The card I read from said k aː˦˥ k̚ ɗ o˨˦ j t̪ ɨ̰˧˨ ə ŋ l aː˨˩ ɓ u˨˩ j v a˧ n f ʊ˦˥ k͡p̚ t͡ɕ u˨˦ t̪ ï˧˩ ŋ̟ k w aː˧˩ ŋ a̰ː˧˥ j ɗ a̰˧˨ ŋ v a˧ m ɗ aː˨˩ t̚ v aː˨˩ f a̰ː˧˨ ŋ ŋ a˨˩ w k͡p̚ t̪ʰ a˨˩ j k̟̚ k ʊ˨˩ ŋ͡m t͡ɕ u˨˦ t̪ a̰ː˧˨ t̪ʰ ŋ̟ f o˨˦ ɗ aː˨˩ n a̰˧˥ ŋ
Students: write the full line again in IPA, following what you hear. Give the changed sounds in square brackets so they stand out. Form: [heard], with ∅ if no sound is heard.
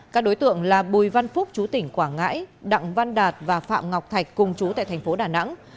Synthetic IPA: k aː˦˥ k̚ ɗ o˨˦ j t̪ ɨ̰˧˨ ə ŋ l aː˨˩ ɓ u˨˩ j v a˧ n f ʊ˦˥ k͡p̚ t͡ɕ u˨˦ t̪ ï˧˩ ŋ̟ k w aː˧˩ ŋ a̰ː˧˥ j ɗ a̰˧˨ ŋ v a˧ [n] ɗ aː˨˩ t̚ v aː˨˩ f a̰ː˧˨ [m] ŋ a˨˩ w k͡p̚ t̪ʰ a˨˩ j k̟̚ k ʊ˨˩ ŋ͡m t͡ɕ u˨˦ t̪ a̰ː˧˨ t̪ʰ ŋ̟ f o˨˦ ɗ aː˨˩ n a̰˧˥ ŋ